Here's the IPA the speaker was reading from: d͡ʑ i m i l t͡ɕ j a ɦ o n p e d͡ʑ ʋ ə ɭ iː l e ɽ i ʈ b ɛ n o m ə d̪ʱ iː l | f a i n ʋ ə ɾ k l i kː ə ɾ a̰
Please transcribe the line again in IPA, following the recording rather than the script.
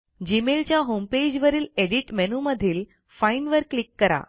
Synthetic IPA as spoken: d͡ʑ i m e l t͡ɕ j a ɦ o m p e d͡ʑ ʋ ə ɾ iː l e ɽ i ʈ m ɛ n u m ə d̪ʱ iː l | f a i n ʋ ə ɾ k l i kː ə ɾ a̰